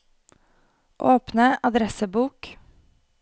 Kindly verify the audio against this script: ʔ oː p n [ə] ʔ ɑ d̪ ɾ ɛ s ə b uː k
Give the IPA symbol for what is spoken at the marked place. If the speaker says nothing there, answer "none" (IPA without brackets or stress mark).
ə